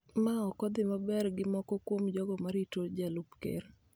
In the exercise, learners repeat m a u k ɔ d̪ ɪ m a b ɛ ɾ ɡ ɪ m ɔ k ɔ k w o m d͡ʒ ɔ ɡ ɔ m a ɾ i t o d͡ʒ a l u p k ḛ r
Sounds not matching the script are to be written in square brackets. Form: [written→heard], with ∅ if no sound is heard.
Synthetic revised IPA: m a [u→ɔ] k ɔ d̪ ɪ m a b ɛ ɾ ɡ ɪ m ɔ k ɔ k w o m d͡ʒ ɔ ɡ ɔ m a ɾ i t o d͡ʒ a l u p k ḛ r